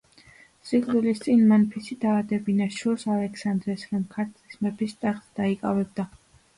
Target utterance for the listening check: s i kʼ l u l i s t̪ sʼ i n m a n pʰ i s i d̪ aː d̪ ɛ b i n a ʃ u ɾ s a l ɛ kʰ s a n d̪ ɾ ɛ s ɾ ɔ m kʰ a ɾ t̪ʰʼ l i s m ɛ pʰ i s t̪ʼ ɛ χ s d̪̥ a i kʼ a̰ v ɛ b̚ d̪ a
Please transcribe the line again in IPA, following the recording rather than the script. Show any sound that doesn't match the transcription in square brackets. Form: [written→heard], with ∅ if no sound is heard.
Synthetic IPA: s i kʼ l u l i s t̪ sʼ i n m a n pʰ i s i d̪ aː d̪ ɛ b i n a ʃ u ɾ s a l ɛ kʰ s a n d̪ ɾ ɛ s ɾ ɔ m kʰ a ɾ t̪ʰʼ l i s m ɛ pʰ i s t̪ʼ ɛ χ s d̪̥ a i kʼ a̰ v ɛ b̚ d̪ a